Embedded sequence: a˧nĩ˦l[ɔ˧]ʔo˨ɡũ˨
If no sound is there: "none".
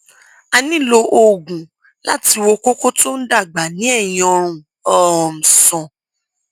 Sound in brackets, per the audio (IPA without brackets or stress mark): o˧